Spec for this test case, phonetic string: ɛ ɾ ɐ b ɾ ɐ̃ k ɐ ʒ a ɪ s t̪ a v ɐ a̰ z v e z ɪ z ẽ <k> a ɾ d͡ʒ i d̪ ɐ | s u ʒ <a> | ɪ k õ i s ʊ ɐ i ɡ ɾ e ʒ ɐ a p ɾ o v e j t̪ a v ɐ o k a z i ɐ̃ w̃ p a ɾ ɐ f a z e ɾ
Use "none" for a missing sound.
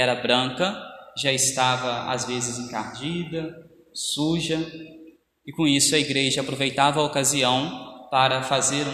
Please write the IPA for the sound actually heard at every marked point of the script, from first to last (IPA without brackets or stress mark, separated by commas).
k, ɐ